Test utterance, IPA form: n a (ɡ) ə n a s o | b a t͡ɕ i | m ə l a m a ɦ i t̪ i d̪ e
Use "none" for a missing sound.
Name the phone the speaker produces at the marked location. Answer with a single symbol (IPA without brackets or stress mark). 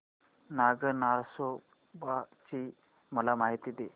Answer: ɡ